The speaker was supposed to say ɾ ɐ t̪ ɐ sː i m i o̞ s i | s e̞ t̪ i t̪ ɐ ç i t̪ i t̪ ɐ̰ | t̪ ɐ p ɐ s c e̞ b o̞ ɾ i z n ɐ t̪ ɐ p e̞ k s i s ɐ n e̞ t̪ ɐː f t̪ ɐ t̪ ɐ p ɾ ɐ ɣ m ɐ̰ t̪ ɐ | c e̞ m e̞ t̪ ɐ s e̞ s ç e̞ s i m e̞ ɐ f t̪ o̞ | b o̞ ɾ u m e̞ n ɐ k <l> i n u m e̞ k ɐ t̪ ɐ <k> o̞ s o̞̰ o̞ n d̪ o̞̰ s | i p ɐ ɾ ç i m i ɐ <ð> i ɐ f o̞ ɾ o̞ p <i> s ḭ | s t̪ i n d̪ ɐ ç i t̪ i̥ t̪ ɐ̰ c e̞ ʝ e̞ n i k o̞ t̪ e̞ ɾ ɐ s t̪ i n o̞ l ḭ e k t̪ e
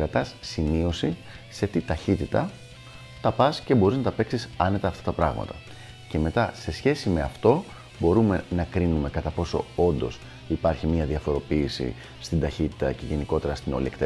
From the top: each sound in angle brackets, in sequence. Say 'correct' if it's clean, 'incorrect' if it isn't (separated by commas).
incorrect, incorrect, correct, incorrect